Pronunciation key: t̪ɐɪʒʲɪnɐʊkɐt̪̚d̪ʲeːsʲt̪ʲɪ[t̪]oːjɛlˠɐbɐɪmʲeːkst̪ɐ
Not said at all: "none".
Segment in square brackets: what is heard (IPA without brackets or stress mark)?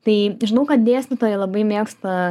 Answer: t̪